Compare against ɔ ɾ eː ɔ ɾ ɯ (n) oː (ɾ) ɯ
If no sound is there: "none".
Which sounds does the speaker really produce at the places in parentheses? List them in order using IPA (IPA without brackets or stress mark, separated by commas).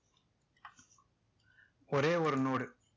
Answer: n, ɽ